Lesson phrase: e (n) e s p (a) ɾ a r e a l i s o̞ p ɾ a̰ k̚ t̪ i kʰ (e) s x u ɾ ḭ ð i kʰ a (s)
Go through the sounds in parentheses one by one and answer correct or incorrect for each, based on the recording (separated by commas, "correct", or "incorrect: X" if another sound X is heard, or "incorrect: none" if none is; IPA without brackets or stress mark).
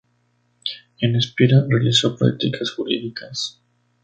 correct, incorrect: i, incorrect: a, correct